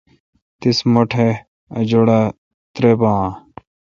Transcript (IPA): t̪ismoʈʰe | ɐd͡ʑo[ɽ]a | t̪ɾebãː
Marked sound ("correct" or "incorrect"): correct